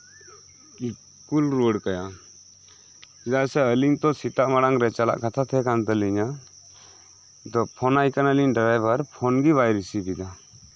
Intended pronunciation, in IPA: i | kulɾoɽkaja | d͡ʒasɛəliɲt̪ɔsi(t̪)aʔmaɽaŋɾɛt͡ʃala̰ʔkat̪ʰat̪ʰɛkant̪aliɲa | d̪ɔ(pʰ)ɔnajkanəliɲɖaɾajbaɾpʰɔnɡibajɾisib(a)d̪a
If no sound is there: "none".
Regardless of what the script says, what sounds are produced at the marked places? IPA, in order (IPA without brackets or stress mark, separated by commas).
t̪, pʰ, i